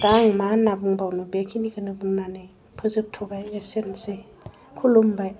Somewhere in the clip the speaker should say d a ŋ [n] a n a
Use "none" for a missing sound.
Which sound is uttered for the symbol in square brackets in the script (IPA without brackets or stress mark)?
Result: m